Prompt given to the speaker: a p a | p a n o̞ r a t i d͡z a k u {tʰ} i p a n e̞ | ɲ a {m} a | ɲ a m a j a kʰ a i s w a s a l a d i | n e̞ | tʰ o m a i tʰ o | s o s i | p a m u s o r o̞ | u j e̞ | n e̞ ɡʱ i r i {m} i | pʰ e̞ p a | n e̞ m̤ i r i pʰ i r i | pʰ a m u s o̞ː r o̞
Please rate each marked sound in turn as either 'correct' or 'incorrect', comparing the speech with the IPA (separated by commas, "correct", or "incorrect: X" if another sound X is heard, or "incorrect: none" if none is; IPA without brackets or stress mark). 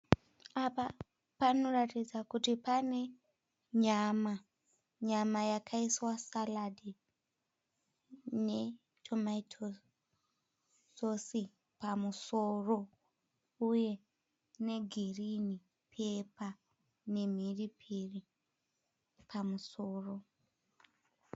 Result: incorrect: t, correct, incorrect: n